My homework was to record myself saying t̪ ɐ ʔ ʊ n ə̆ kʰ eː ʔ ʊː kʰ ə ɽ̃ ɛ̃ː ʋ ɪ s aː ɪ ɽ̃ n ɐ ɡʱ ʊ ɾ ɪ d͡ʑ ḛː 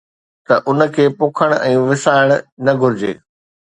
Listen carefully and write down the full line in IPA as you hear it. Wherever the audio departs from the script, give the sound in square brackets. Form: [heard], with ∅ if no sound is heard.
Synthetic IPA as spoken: t̪ ɐ ʔ ʊ n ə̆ kʰ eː [p] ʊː kʰ ə ɽ̃ ɛ̃ː ʋ ɪ s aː ɪ ɽ̃ n ɐ ɡʱ ʊ ɾ ɪ d͡ʑ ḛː